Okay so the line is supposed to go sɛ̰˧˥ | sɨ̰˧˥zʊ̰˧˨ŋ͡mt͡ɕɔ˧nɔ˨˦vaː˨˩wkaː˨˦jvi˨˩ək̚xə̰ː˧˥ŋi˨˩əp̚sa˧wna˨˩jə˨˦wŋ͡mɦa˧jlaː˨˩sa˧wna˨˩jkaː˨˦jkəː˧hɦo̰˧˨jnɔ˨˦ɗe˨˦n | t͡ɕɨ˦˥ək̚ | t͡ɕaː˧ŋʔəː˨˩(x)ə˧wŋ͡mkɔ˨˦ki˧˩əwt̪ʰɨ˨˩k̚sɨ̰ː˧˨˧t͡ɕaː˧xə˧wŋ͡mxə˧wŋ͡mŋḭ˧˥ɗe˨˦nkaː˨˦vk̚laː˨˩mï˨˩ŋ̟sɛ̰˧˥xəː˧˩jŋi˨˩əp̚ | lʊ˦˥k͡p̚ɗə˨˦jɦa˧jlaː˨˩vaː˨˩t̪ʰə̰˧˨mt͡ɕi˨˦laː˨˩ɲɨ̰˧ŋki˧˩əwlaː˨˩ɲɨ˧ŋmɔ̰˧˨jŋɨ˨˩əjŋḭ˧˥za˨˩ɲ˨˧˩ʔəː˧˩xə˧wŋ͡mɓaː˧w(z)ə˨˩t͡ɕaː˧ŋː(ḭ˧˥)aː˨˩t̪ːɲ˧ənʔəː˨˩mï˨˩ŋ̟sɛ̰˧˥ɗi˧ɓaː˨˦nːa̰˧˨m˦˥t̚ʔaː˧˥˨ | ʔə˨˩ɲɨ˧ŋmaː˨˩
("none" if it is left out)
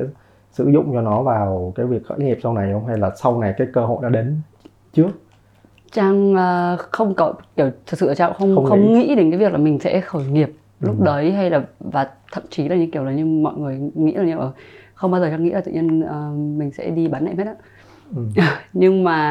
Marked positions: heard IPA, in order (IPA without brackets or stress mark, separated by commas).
x, z, ḭ˧˥